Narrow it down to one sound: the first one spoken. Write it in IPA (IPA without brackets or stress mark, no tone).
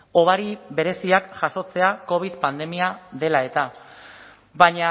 o̞